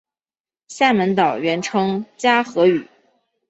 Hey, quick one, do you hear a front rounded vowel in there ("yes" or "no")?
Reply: yes